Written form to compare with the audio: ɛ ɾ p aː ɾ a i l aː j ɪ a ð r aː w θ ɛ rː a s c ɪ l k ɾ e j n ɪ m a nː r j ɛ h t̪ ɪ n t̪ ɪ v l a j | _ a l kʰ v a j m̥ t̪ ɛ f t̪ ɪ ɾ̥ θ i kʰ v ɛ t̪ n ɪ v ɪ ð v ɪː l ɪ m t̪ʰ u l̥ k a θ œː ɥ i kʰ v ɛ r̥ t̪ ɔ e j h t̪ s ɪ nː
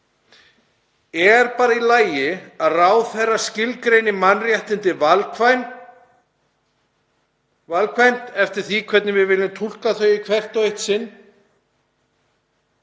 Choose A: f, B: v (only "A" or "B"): B